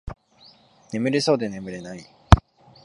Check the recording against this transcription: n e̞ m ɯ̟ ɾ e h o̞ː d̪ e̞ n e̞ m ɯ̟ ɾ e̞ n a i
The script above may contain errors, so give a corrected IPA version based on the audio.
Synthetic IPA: n e̞ m ɯ̟ ɾ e s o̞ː d̪ e̞ n e̞ m ɯ̟ ɾ e̞ n a i